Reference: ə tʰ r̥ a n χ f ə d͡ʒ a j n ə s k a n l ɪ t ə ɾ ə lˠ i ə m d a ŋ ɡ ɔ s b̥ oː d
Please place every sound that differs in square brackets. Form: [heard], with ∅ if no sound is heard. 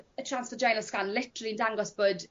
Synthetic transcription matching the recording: ə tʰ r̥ a n [s] f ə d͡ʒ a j n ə s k a n l ɪ t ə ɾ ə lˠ i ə [n] d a ŋ ɡ ɔ s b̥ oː d